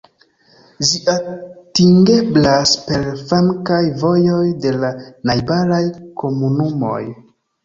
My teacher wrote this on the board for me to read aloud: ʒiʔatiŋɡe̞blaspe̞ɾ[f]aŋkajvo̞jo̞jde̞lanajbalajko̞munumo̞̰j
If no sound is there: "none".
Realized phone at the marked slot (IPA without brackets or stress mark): f